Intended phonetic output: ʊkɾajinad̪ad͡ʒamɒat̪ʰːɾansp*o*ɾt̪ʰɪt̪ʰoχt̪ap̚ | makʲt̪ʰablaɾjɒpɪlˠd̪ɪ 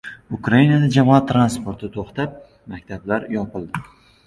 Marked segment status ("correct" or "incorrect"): correct